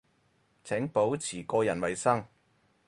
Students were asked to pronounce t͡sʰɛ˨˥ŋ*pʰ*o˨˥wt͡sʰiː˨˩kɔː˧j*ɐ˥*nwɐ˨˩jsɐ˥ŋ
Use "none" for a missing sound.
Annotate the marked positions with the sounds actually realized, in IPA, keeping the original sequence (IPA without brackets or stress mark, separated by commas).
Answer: p, ɐ˨˩